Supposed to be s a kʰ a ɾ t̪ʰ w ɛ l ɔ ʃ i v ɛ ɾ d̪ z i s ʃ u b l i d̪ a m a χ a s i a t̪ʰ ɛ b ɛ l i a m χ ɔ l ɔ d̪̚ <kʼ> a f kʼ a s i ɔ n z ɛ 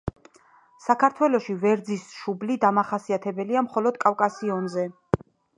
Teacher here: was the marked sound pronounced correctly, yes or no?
yes